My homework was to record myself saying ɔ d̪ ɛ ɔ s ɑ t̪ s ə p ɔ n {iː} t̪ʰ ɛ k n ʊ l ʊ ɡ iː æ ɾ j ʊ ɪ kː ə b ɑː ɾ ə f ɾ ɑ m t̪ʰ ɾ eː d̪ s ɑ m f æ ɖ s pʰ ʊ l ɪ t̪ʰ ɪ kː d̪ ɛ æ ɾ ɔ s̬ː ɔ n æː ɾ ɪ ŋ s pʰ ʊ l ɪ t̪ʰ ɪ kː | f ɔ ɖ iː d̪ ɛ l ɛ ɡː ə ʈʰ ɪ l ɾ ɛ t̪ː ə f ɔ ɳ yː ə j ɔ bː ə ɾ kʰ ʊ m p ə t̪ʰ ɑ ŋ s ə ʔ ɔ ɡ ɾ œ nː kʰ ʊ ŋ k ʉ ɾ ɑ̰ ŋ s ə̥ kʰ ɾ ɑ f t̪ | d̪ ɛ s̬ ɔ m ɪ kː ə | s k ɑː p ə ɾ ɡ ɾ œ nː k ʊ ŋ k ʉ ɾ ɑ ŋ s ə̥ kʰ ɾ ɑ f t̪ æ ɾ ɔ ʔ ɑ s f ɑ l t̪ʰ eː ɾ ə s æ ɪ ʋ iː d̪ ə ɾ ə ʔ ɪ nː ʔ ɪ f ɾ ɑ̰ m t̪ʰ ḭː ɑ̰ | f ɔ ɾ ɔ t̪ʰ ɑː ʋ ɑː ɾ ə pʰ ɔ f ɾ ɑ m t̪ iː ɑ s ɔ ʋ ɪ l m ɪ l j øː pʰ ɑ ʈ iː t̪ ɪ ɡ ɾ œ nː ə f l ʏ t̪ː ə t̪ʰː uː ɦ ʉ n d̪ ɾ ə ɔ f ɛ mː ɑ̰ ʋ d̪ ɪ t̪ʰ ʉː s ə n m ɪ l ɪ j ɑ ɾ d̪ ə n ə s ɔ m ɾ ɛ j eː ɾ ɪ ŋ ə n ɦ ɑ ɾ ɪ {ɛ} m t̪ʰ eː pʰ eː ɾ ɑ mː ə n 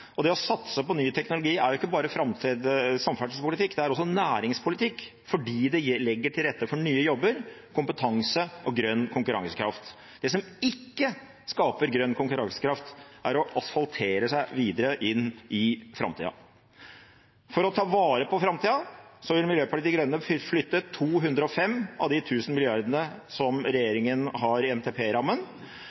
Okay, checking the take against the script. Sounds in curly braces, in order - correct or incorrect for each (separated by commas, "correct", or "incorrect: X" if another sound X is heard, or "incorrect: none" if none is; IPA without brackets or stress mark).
incorrect: yː, correct